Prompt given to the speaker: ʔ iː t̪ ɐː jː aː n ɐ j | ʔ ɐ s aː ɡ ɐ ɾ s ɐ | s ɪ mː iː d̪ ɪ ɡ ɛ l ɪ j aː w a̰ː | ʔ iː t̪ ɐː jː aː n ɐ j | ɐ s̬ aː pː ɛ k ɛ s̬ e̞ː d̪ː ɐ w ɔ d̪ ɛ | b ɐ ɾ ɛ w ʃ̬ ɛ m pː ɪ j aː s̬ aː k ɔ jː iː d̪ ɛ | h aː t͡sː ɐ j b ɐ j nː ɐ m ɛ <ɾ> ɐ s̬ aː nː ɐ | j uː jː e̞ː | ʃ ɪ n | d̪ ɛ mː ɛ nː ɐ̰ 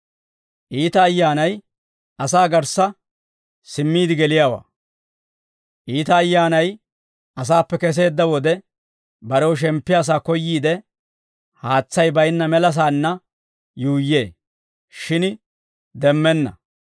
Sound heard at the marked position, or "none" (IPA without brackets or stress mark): l